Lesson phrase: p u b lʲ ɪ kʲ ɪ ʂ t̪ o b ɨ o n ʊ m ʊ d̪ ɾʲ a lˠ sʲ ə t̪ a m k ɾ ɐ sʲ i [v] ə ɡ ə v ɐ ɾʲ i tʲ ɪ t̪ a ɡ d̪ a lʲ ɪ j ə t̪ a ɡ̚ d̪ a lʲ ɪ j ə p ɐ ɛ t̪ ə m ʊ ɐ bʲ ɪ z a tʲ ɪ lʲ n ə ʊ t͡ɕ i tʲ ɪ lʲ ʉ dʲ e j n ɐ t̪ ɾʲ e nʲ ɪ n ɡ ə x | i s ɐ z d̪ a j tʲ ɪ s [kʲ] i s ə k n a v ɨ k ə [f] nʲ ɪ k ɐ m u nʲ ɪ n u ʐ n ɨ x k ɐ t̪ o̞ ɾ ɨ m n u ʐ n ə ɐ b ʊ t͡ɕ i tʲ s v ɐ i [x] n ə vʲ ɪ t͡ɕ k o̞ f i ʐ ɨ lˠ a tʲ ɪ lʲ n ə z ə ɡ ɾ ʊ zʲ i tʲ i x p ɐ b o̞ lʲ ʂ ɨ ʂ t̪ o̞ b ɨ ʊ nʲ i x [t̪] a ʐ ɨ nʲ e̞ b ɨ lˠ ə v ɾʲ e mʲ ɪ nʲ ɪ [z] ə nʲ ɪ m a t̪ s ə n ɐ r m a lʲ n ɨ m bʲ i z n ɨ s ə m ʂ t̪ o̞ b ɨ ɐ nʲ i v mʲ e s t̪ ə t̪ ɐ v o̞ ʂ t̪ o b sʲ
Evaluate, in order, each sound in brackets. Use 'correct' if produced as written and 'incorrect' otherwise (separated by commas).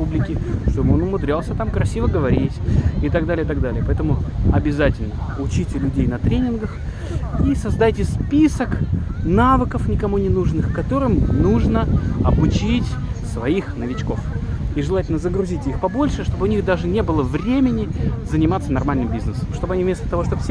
correct, incorrect, correct, correct, incorrect, correct